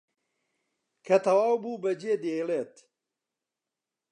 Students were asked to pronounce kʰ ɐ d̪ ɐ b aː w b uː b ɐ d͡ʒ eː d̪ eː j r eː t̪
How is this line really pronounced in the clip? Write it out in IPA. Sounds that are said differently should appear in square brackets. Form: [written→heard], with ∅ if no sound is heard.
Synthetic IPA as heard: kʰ ɐ [d̪→t̪] ɐ [b→w] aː w b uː b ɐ d͡ʒ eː d̪ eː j [r→l] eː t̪